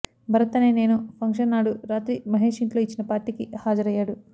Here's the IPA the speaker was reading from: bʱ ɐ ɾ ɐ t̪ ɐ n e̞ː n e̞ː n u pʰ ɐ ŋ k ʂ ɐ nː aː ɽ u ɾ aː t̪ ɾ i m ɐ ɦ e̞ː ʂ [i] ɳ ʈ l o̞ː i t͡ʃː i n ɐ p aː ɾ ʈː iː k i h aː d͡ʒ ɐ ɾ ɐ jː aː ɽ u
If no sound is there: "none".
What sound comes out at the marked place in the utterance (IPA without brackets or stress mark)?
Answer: i